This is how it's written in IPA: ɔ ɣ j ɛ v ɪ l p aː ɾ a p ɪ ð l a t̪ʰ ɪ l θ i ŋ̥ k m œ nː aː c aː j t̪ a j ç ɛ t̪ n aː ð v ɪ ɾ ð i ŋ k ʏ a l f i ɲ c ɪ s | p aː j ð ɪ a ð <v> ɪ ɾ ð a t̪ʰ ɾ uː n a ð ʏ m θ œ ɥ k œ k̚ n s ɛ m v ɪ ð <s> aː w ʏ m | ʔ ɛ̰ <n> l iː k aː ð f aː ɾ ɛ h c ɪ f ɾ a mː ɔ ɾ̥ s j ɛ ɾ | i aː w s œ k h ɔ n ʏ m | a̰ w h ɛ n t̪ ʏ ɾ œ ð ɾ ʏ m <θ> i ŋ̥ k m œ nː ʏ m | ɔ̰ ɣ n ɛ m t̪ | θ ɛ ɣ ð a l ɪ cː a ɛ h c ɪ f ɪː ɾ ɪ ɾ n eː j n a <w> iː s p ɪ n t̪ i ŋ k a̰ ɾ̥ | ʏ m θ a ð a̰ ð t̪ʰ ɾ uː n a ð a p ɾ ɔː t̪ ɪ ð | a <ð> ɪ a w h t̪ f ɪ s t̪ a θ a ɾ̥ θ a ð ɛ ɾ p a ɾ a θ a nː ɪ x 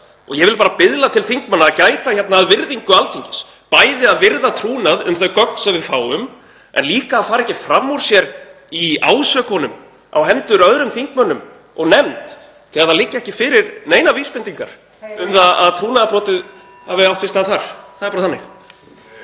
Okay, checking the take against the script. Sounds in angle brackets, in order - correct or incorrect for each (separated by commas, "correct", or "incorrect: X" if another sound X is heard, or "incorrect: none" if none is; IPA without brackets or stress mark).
correct, incorrect: f, correct, correct, incorrect: v, incorrect: v